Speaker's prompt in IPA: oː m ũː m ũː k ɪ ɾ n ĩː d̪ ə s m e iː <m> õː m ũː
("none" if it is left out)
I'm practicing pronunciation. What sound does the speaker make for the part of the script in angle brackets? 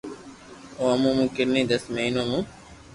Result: n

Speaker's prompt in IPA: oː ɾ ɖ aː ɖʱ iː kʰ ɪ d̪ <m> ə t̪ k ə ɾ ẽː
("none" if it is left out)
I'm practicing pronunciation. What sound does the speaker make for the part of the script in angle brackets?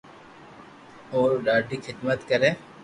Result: m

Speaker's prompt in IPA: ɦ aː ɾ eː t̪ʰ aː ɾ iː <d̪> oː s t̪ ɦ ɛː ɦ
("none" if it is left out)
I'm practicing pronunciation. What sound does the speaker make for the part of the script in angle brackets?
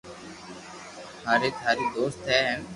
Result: d̪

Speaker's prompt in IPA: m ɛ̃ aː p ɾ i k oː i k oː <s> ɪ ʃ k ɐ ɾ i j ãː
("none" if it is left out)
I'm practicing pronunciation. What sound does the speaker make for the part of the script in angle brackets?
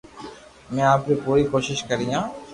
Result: ʃ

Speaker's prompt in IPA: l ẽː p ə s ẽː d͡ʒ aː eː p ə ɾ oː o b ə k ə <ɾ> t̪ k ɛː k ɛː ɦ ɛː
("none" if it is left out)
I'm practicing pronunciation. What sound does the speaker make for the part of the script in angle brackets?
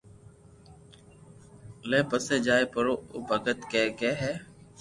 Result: none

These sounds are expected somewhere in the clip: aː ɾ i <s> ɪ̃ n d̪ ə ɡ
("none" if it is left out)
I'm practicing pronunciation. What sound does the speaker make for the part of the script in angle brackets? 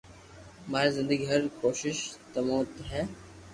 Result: z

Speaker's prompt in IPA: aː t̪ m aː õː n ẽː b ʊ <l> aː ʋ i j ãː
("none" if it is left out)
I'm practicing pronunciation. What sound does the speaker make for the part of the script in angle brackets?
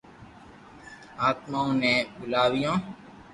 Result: l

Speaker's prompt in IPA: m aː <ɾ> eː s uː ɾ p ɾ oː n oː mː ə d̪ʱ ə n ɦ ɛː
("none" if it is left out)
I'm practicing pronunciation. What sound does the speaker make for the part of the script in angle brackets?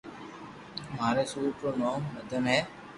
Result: ɾ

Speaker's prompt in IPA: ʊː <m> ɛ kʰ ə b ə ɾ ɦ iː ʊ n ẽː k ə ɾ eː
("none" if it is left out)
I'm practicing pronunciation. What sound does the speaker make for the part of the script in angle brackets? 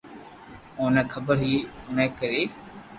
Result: n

